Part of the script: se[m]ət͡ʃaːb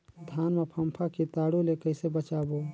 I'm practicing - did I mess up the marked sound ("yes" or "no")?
yes